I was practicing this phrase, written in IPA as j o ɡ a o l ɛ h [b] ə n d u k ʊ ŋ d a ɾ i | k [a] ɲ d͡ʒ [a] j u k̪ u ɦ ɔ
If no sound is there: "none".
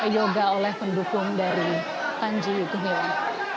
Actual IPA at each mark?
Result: p, a, i

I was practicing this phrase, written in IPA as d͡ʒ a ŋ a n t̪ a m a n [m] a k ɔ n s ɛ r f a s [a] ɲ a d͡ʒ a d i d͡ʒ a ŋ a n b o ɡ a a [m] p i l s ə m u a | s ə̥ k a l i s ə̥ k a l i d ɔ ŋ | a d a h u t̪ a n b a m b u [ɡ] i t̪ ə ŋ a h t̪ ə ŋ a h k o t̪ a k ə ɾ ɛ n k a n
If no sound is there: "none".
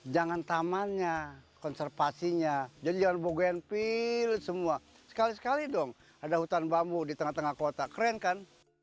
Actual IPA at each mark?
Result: ɲ, i, n, d

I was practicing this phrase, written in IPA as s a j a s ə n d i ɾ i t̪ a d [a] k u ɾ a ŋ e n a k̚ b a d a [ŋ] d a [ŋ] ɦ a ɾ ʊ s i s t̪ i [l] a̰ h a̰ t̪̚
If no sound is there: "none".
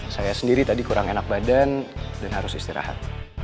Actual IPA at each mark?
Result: i, n, n, ɾ

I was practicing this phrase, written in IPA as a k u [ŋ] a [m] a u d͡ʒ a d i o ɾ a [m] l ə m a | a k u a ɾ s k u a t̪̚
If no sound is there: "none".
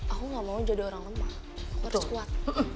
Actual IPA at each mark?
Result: ŋ, m, ŋ

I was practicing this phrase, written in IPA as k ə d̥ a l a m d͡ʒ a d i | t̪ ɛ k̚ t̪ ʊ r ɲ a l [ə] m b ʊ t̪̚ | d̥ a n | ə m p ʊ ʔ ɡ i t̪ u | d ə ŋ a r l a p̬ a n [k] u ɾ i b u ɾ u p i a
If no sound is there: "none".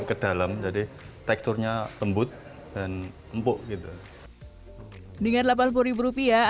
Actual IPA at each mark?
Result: ə, p

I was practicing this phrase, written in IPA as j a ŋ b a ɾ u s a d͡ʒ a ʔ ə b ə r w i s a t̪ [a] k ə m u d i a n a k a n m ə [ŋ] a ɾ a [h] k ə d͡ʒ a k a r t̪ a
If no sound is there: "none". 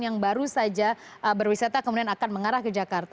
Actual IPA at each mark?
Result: a, ŋ, h

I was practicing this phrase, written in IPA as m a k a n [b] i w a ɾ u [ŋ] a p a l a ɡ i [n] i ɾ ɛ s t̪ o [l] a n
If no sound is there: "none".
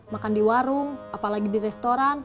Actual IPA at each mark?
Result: d, ŋ, d, ɾ

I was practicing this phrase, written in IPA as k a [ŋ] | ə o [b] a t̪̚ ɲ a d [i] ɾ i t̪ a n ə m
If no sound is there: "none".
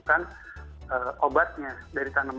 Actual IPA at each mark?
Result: n, b, a

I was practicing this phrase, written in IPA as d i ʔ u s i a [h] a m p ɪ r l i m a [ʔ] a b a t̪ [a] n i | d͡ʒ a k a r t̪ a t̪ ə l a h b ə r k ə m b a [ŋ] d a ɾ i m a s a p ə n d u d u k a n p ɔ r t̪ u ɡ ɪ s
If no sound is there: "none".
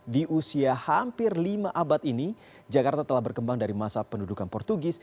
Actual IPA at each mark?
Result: h, ʔ, i, ŋ

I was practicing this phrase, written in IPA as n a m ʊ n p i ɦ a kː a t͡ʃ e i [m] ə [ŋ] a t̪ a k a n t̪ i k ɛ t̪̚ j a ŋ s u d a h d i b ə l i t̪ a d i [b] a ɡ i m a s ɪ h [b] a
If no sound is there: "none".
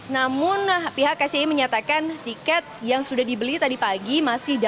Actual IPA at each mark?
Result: m, ɲ, p, d

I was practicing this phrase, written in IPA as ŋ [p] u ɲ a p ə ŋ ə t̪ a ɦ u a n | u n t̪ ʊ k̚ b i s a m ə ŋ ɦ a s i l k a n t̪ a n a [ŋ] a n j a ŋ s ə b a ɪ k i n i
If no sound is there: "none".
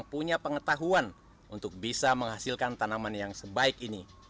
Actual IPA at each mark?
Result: p, m

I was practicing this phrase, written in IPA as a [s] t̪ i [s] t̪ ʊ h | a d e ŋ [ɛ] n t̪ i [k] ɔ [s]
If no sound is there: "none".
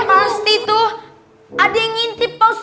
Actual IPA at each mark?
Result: s, none, i, p, s

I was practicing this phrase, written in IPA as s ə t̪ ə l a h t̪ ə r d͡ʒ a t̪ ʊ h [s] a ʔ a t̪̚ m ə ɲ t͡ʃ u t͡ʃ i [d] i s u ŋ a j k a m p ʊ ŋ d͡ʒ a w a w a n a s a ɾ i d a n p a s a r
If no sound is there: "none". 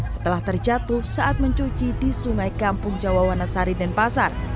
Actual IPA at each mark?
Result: s, d

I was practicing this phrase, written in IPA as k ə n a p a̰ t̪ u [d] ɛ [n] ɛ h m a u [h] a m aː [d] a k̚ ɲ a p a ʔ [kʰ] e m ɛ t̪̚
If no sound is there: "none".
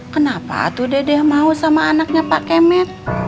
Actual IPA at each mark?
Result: d, d, s, n, k

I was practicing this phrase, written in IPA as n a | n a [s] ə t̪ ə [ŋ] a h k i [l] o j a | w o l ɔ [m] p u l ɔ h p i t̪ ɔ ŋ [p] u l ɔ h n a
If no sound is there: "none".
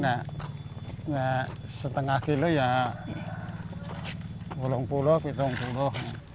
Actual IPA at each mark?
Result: s, ŋ, l, ŋ, p

